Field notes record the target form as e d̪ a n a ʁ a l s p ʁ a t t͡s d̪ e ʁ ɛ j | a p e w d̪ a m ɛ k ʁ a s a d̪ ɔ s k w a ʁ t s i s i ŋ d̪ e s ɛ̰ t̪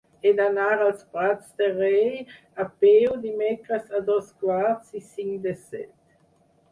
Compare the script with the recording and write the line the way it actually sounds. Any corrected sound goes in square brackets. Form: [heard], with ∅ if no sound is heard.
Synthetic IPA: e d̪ a n a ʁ a l s p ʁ a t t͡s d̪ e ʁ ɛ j | a p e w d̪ [i] m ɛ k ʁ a s a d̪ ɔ s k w a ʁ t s i s i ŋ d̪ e s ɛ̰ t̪